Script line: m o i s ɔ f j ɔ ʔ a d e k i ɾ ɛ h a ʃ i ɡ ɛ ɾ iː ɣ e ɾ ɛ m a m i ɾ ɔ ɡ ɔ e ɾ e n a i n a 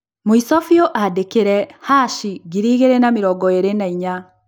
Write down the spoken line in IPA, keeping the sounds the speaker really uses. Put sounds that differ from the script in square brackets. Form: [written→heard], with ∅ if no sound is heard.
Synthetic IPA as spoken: m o i s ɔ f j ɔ ʔ a d e k [i→e] ɾ ɛ h a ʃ i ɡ [ɛ→i] ɾ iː ɣ e ɾ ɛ [m→n] a m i ɾ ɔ ɡ ɔ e ɾ e n a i [n→ɲ] a